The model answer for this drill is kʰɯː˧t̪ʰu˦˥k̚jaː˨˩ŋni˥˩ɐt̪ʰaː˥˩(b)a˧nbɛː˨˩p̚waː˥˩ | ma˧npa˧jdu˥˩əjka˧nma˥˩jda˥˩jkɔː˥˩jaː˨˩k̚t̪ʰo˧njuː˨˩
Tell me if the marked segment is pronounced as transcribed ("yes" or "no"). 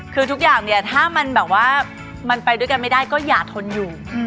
no